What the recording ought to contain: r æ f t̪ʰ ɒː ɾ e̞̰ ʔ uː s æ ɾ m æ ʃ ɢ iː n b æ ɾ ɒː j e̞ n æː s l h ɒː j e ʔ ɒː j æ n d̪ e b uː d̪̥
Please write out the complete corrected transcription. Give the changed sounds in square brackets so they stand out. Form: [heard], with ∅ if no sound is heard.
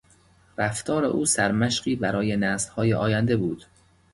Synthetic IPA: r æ f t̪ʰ ɒː ɾ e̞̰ ʔ uː s æ ɾ m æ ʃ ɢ iː [∅] b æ ɾ ɒː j e̞ n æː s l h ɒː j e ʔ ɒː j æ n d̪ e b uː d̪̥